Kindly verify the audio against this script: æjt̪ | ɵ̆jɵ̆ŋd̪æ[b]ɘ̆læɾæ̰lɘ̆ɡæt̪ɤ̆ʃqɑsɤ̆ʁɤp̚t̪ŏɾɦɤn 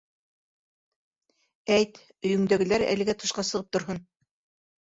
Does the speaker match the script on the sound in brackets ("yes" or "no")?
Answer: no